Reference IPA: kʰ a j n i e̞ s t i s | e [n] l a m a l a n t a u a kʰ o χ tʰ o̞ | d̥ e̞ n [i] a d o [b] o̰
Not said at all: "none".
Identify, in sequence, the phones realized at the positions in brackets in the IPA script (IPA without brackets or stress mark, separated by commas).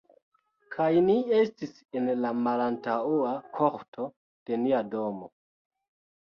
n, i, m